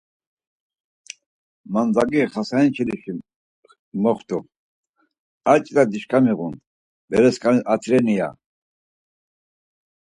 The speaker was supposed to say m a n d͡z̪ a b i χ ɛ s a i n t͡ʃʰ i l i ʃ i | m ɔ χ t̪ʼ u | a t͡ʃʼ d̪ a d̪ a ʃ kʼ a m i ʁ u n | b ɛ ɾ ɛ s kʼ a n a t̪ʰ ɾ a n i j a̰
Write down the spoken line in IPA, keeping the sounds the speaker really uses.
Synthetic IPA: m a n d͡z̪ a ɡ i χ a s a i n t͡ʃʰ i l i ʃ i | m ɔ χ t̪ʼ u | a t͡ʃʼ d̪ a d̪ i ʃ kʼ a m i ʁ u n | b ɛ ɾ ɛ s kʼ a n a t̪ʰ ɾ ɛ n i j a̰